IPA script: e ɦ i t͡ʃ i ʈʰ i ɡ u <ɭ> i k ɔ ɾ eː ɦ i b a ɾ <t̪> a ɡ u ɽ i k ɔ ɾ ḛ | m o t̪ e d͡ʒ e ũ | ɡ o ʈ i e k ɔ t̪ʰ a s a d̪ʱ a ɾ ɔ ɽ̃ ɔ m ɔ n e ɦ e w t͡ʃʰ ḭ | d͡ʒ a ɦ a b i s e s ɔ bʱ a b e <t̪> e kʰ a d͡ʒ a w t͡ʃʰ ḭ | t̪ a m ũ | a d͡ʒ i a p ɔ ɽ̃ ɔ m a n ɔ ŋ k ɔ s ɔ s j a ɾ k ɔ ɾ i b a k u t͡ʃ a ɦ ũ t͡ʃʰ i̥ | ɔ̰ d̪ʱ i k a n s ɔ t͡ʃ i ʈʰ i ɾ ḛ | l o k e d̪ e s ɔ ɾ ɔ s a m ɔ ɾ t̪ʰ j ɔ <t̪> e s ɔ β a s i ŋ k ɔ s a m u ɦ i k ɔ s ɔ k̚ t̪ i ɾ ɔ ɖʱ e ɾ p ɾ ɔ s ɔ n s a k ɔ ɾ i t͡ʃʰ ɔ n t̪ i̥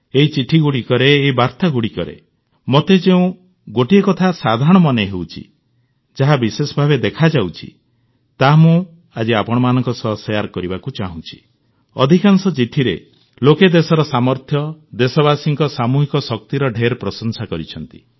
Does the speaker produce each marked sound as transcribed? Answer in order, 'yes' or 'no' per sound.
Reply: no, yes, no, no

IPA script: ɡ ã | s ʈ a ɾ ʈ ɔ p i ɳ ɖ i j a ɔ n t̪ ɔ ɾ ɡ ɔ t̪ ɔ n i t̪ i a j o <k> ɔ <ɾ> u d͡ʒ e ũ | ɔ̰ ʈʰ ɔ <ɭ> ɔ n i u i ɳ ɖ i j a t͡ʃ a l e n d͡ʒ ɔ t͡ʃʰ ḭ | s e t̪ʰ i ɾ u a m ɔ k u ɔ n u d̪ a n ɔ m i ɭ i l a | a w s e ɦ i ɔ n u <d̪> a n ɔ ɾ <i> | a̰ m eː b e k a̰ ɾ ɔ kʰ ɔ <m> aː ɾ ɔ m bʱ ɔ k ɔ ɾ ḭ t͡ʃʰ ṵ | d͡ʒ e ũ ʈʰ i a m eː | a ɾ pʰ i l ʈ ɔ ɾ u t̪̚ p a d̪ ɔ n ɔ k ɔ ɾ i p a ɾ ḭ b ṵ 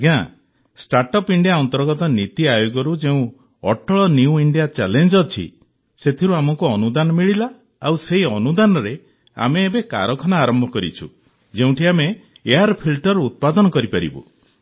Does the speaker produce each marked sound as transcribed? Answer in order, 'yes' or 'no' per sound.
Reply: no, yes, yes, yes, no, no

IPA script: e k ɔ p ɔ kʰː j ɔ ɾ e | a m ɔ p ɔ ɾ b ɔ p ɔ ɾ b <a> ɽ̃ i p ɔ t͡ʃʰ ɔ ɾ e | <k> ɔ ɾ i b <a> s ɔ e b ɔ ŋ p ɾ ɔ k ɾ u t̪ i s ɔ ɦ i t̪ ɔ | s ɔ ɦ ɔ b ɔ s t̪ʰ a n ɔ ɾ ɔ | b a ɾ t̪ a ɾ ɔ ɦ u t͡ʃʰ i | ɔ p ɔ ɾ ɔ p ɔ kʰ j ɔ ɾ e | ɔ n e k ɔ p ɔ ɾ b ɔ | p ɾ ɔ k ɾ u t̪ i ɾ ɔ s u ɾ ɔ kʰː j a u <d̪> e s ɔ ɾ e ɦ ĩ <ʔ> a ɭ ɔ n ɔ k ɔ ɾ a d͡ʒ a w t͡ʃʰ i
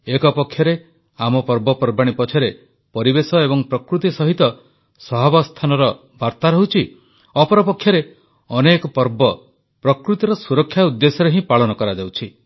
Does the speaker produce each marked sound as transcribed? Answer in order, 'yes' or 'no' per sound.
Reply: yes, no, no, no, no

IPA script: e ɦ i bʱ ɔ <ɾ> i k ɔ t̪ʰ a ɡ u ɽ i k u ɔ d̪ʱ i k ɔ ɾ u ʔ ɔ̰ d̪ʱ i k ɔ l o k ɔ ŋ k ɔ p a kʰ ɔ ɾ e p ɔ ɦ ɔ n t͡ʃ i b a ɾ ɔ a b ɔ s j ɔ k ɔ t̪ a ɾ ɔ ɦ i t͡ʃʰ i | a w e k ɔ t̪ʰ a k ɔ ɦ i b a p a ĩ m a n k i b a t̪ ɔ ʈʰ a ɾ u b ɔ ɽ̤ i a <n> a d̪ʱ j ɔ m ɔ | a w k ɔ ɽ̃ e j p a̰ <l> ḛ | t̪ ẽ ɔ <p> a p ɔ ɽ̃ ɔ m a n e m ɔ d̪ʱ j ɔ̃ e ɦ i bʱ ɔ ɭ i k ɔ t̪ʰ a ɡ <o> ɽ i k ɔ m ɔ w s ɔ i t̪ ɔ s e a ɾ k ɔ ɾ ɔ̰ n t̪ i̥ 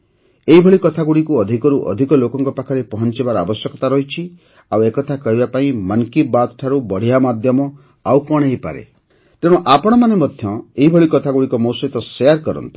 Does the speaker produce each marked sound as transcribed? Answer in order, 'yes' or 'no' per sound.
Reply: no, no, no, no, no

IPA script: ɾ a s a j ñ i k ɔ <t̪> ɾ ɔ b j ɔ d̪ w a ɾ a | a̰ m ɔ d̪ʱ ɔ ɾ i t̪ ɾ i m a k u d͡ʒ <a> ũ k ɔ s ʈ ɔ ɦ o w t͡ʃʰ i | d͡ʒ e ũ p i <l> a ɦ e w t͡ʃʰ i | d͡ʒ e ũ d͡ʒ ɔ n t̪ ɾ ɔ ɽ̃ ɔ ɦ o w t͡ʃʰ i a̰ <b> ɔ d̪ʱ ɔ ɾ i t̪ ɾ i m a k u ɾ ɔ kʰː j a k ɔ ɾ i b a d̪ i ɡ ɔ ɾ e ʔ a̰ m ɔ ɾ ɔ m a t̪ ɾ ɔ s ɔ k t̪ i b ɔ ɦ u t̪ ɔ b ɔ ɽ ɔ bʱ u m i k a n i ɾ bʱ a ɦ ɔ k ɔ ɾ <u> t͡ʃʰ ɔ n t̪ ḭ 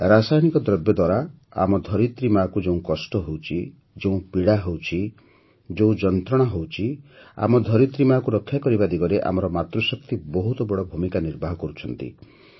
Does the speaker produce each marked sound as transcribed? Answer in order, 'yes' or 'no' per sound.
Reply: no, no, no, no, yes

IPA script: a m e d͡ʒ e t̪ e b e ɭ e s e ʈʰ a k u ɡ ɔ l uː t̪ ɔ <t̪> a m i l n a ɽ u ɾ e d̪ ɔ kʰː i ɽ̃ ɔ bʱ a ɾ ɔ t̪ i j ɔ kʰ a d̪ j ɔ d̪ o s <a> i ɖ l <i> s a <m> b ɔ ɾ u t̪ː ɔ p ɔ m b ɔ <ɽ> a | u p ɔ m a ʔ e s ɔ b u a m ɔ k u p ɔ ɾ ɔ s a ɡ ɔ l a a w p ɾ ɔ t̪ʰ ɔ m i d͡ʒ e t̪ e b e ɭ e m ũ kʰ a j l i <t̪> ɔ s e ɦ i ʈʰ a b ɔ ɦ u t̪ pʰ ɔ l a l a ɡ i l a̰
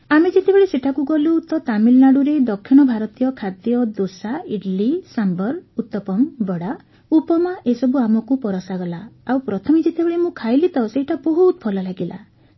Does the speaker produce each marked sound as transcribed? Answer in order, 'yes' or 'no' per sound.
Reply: yes, yes, yes, yes, yes, yes

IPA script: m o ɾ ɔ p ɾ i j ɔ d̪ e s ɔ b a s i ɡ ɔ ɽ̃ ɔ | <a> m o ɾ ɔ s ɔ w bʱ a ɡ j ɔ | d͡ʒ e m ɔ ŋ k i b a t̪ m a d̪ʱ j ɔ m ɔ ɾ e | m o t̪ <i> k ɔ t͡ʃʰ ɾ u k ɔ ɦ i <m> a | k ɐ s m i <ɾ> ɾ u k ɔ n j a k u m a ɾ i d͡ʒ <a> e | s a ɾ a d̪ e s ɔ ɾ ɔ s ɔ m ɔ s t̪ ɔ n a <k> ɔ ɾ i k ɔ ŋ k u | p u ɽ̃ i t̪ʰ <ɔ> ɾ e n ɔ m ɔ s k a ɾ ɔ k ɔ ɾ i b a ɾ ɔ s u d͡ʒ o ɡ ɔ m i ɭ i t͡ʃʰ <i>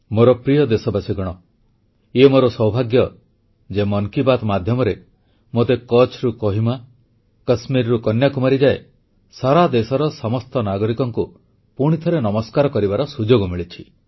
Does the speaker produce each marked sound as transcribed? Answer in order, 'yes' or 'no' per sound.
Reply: no, no, yes, yes, yes, no, yes, yes

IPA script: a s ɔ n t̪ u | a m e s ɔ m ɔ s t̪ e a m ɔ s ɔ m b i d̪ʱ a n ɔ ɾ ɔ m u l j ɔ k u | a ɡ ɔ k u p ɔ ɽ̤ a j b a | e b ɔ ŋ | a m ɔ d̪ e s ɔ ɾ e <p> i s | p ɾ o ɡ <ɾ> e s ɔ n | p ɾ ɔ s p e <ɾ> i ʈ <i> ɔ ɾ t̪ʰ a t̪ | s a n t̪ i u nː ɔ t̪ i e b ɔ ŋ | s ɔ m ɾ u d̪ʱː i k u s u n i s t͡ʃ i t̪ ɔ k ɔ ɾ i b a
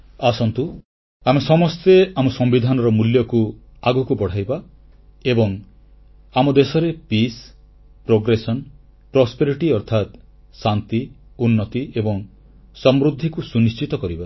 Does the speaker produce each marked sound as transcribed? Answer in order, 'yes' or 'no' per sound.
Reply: yes, yes, yes, yes

